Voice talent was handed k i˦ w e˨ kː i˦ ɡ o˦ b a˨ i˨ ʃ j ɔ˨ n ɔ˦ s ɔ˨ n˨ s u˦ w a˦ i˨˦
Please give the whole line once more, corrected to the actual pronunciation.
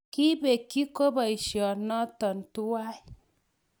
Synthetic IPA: k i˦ b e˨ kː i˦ k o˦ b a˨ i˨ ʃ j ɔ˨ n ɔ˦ t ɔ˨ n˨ t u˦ w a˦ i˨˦